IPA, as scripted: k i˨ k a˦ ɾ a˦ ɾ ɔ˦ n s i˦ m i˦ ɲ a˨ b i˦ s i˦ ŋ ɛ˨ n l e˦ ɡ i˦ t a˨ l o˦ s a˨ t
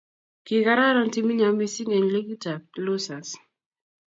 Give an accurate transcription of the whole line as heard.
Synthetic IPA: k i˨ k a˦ ɾ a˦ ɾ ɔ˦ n t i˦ m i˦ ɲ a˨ m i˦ s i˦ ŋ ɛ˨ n l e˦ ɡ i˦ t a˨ l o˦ s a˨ s